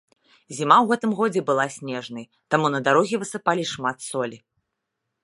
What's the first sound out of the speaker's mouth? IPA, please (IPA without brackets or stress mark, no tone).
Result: zʲ